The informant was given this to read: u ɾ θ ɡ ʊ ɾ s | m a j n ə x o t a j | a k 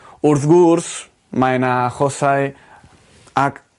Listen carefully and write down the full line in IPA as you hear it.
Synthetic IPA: u ɾ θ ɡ u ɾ s | m a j n a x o s a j | a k